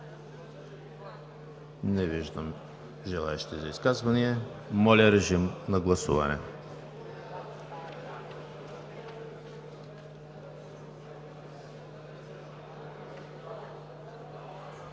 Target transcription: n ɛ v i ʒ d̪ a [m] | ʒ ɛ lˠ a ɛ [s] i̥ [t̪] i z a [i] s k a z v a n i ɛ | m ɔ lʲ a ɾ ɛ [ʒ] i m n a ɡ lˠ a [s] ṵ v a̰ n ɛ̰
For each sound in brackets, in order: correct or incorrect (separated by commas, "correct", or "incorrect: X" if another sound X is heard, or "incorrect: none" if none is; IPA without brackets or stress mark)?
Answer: correct, incorrect: ʃ, correct, correct, correct, correct